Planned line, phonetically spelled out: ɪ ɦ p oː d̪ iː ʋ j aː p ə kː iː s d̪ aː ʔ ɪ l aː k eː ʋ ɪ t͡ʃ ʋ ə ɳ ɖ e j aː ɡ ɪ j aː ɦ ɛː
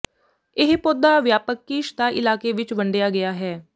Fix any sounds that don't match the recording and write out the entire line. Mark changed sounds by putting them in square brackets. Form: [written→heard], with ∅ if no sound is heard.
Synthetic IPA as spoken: ɪ ɦ p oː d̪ [iː→aː] ʋ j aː p ə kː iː [s→ʃ] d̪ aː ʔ ɪ l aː k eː ʋ ɪ t͡ʃ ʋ ə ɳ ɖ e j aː ɡ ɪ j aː ɦ ɛː